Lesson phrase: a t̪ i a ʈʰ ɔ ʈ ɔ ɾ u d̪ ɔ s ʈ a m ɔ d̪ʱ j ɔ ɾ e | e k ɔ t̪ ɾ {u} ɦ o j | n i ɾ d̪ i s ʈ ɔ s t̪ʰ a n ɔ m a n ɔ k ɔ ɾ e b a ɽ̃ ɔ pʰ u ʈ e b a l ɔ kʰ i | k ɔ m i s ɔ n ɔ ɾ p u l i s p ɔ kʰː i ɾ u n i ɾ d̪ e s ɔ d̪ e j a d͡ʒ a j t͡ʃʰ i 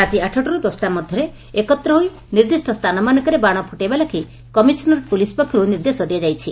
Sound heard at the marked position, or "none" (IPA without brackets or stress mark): ɔ